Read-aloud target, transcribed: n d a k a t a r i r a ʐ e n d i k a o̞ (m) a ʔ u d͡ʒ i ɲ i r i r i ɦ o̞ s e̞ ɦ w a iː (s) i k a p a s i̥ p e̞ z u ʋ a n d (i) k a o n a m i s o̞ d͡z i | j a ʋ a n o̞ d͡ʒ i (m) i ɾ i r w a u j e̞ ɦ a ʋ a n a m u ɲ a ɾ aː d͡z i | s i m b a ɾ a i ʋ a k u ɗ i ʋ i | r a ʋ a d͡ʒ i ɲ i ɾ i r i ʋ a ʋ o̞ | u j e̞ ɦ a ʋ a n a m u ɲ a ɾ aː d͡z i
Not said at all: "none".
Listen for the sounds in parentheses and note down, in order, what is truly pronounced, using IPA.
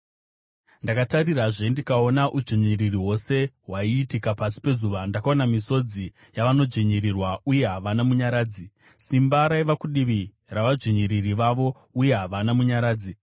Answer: n, t, a, ɲ

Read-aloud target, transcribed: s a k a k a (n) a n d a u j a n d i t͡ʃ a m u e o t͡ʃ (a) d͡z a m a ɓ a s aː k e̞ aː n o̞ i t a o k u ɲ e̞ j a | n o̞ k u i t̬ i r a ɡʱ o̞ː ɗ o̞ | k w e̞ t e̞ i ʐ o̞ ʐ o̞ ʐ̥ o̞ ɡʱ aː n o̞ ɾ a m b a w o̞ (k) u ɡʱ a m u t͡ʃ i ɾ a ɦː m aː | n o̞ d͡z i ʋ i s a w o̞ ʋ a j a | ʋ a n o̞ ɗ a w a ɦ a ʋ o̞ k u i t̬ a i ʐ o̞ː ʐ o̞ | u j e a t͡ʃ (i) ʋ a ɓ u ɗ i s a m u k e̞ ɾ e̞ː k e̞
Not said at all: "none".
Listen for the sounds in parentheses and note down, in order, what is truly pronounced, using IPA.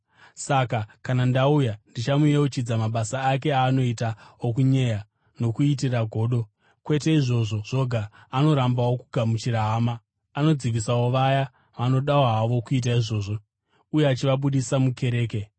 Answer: n, i, k, i

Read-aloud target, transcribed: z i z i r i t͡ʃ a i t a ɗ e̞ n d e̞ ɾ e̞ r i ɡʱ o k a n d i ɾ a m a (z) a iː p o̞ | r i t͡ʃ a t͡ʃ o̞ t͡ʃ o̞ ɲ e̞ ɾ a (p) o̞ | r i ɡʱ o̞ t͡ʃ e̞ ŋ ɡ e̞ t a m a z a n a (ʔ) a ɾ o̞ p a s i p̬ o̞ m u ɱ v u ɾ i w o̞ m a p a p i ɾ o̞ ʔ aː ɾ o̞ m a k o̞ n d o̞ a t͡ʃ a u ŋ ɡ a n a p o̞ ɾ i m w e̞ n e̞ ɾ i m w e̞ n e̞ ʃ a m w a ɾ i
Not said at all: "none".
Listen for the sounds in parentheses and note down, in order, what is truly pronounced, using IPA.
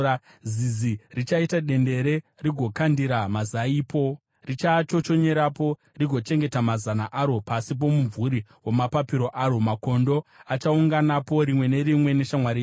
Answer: z, p, ʔ

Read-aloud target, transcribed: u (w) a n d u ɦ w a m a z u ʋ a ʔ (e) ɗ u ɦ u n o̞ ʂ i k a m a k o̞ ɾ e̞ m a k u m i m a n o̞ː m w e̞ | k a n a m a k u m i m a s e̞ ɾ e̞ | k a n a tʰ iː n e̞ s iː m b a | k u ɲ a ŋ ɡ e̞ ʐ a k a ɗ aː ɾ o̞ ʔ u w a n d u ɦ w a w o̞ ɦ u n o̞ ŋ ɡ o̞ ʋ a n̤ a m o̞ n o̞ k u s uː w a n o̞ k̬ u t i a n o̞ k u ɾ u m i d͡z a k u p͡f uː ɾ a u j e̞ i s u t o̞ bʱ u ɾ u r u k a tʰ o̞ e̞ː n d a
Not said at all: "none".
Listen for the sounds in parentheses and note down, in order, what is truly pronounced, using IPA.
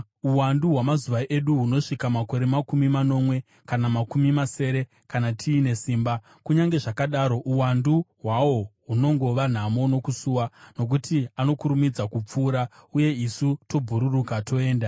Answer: w, e

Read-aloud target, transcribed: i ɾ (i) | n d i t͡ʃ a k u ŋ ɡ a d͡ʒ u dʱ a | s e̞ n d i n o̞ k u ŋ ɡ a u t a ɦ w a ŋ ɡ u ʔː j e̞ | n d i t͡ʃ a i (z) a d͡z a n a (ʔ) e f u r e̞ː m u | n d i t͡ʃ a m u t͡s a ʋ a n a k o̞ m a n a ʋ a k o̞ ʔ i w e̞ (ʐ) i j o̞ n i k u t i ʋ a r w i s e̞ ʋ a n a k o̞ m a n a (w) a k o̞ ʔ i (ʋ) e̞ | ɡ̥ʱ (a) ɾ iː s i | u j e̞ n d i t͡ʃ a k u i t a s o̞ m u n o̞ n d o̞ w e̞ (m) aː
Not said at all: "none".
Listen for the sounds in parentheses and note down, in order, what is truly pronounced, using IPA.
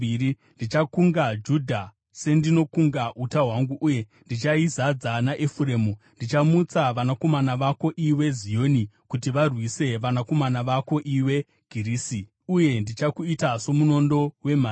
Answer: i, z, ʔ, z, ʋ, w, i, m

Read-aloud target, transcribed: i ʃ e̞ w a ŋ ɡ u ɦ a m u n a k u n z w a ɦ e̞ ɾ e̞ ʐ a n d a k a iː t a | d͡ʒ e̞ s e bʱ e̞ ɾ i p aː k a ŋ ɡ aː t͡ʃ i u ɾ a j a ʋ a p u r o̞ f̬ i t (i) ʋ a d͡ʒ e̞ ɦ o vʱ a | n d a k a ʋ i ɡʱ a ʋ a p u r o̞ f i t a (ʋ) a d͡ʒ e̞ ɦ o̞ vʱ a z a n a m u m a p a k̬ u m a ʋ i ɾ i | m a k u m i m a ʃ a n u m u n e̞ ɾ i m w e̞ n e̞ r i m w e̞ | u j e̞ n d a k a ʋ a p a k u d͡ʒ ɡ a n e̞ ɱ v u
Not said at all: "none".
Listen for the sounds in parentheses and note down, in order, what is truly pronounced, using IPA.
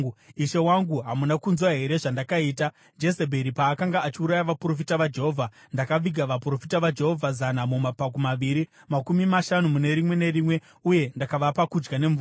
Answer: a, ʋ

